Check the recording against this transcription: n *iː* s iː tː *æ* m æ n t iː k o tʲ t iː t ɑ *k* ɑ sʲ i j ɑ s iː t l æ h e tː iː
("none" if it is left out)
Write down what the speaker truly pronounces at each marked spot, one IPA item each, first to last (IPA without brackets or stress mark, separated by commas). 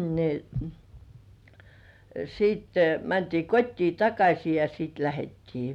i, e, k